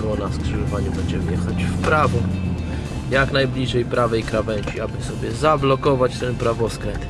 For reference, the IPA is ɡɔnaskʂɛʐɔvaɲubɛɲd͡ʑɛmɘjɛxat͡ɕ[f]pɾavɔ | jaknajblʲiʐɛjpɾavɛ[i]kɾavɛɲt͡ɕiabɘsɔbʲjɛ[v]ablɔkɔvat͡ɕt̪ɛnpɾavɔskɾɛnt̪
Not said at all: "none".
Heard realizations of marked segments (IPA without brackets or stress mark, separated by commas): f, j, z